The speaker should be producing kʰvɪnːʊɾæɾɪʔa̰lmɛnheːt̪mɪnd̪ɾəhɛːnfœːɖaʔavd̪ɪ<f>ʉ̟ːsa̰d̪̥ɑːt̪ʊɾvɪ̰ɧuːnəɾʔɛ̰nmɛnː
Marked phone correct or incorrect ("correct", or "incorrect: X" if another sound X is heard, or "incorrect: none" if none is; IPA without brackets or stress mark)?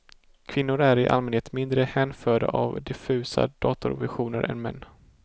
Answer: correct